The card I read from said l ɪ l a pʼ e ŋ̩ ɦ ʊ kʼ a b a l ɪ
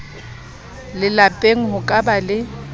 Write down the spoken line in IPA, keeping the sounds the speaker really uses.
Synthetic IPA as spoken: l ɪ l a pʼ e ŋ̩ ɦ ʊ kʼ a b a l ɪ